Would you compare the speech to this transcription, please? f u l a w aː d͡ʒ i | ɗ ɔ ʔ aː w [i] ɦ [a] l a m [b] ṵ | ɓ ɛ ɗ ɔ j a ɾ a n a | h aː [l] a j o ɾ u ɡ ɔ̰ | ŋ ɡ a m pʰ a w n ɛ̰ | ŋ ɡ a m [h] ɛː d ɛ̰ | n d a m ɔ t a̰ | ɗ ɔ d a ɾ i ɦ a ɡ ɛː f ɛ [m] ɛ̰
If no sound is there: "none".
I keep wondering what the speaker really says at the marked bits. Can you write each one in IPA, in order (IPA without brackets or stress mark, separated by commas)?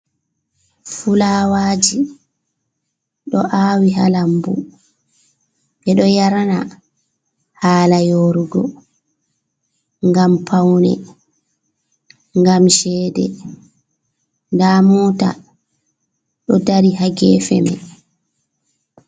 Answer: i, a, b, l, ʃ, m